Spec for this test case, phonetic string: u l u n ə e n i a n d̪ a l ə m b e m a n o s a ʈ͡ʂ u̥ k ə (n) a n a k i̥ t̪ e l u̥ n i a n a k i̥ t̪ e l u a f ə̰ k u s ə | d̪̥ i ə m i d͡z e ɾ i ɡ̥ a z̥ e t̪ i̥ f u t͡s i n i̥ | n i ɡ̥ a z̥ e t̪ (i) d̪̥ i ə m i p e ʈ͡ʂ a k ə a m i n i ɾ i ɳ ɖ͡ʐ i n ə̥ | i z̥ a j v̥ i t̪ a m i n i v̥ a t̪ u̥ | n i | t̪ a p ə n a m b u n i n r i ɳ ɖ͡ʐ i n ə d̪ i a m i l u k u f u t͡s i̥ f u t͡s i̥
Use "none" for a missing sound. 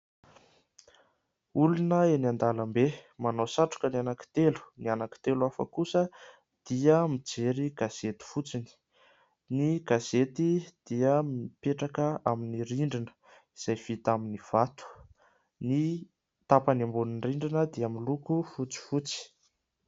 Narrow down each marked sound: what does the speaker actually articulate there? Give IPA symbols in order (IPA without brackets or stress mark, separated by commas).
n, i